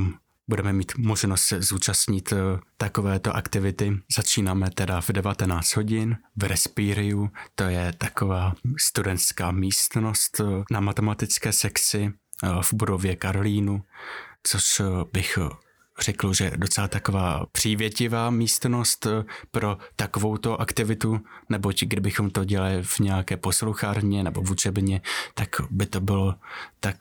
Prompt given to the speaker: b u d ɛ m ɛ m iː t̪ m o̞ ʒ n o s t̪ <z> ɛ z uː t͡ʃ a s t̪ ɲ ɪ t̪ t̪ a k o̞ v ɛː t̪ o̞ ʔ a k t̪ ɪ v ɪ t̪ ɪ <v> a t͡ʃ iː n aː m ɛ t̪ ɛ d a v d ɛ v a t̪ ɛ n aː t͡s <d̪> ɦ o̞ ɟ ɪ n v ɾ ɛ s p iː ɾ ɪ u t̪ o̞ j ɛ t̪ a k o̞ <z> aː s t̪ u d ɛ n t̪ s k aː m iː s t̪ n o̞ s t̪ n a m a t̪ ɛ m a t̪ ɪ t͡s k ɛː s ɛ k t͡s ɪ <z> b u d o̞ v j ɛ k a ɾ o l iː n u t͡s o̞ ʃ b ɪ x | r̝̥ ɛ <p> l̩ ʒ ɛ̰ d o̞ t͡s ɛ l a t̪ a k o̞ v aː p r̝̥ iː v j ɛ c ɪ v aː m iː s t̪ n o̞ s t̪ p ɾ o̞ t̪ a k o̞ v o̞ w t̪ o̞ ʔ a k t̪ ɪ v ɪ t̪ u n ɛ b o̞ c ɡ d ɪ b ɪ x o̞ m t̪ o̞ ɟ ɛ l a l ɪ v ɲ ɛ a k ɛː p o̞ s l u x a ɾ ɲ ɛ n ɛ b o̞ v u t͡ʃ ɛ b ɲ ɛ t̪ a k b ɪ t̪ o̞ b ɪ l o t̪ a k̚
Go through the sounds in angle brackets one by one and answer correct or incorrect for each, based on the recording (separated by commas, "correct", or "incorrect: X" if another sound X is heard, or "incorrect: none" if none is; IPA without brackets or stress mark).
incorrect: s, incorrect: z, incorrect: t̪, incorrect: v, incorrect: v, incorrect: k